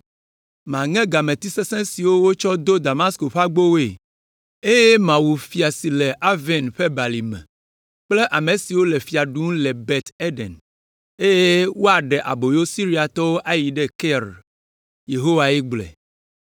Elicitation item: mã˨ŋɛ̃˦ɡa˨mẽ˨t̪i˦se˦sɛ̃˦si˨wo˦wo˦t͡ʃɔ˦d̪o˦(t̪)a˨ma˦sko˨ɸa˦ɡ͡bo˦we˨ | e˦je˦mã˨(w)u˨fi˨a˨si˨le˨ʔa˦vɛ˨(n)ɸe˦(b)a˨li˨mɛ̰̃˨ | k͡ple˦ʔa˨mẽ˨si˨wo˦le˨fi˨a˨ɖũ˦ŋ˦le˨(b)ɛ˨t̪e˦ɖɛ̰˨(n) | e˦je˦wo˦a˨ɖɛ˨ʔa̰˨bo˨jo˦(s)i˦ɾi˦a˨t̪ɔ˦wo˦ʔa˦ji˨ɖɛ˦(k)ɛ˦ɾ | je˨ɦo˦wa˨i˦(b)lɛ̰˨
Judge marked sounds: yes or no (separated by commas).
no, yes, yes, yes, yes, yes, yes, yes, no